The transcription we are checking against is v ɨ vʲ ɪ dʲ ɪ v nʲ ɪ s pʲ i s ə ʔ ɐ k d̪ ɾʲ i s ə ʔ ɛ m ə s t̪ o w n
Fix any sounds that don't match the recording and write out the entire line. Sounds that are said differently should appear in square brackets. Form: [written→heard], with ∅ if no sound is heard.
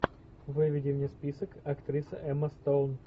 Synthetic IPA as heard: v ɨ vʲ ɪ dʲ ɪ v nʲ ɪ s pʲ i s ə [ʔ→k] ɐ k [d̪→t̪] ɾʲ i s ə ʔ ɛ m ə s t̪ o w n

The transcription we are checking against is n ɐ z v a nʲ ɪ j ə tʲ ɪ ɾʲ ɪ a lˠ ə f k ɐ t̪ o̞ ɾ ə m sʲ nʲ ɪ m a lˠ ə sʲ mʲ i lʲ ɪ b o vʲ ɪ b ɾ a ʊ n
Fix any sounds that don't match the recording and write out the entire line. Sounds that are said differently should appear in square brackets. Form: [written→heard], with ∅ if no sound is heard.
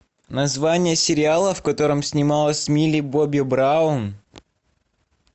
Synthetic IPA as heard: n ɐ z v a nʲ ɪ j ə [tʲ→sʲ] ɪ ɾʲ ɪ a lˠ ə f k ɐ t̪ o̞ ɾ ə m sʲ nʲ ɪ m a lˠ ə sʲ mʲ i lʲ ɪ b o [vʲ→bʲ] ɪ b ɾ a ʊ n

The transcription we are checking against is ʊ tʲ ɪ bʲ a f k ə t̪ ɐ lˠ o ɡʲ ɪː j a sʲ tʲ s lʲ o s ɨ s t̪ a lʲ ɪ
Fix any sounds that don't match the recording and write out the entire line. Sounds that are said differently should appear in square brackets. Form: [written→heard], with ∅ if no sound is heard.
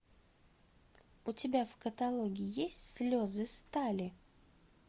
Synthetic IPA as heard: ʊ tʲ ɪ bʲ a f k ə t̪ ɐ lˠ o ɡʲ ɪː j [a→e] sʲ tʲ s lʲ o [s→z] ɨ s t̪ a lʲ ɪ

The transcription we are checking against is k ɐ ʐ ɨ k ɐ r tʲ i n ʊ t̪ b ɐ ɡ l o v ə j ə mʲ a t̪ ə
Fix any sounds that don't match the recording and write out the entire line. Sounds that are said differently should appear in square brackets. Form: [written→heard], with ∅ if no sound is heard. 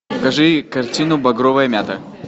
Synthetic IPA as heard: k ɐ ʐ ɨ k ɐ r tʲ i n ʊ [t̪→∅] b ɐ ɡ [l→ɾ] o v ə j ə mʲ a t̪ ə

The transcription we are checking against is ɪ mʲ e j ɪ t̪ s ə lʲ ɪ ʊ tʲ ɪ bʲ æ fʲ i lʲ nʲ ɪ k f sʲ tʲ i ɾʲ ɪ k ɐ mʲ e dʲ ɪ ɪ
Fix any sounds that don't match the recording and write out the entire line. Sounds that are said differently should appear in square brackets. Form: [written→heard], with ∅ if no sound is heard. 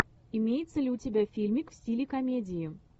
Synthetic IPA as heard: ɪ mʲ e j ɪ t̪ s ə lʲ ɪ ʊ tʲ ɪ bʲ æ fʲ i lʲ [nʲ→mʲ] ɪ k f sʲ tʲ i [ɾʲ→lʲ] ɪ k ɐ mʲ e dʲ ɪ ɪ

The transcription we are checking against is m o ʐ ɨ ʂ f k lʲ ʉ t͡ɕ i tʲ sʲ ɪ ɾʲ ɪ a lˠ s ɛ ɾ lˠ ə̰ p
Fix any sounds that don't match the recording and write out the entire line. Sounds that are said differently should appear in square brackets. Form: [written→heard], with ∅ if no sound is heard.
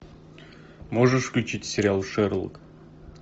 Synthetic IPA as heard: m o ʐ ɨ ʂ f k lʲ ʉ t͡ɕ i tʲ sʲ ɪ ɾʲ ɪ a lˠ [s→ʂ] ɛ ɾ lˠ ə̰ [p→k]

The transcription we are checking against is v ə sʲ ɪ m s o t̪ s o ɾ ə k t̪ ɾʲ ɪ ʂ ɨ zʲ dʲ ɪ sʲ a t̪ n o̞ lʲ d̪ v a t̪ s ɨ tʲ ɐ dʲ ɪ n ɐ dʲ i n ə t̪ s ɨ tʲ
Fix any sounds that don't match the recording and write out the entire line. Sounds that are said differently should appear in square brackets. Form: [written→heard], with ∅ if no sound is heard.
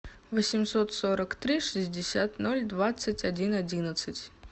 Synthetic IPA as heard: v ə sʲ ɪ m s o t̪ s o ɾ ə k t̪ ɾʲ [ɪ→i] ʂ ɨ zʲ dʲ ɪ sʲ a t̪ n o̞ lʲ d̪ v a t̪ s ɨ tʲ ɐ dʲ [ɪ→i] n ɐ dʲ i n ə t̪ s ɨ tʲ

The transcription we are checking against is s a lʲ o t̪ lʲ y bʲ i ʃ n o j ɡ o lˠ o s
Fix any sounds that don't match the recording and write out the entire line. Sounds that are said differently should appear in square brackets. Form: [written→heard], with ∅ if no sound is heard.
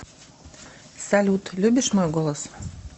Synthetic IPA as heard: s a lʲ [o→u] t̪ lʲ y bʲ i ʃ [n→m] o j ɡ o lˠ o s

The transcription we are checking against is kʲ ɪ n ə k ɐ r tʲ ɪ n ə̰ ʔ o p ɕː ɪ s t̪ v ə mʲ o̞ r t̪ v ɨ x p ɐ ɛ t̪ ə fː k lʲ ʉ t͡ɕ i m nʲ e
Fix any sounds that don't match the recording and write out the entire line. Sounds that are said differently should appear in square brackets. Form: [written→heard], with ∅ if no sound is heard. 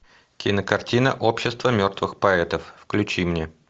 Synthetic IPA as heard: kʲ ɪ n ə k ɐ r tʲ [ɪ→i] n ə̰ ʔ o p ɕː ɪ s t̪ v ə mʲ o̞ r t̪ v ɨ x p ɐ ɛ t̪ ə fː k lʲ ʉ t͡ɕ i m nʲ e

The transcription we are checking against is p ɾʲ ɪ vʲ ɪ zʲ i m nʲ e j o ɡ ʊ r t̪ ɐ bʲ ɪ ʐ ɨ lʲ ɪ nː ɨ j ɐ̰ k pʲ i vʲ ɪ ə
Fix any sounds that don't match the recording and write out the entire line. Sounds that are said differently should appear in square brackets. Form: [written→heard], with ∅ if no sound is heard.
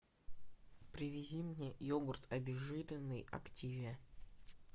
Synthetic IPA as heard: p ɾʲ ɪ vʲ ɪ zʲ i m nʲ e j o ɡ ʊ r t̪ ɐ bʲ ɪ ʐ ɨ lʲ ɪ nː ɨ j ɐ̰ k [pʲ→tʲ] i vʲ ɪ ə

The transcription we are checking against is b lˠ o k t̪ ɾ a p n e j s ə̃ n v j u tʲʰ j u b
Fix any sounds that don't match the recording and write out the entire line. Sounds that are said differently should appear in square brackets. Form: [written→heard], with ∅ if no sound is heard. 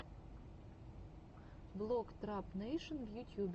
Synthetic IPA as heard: b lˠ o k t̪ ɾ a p n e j [s→ʃ] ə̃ n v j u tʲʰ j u b

